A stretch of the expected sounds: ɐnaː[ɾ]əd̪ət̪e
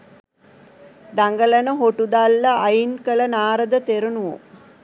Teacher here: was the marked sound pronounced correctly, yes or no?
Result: yes